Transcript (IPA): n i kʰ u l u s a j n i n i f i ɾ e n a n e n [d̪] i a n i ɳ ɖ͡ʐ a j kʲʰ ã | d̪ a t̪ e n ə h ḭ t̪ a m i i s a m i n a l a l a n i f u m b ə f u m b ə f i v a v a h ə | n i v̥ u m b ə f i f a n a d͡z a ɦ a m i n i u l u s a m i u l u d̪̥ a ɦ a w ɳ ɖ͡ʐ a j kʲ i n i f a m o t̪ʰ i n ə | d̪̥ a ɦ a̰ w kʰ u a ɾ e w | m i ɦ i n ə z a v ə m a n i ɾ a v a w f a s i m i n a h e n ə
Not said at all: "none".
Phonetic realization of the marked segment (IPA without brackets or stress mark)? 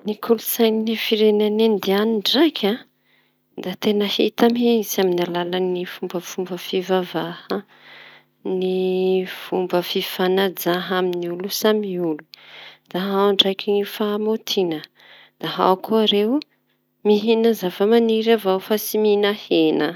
d̪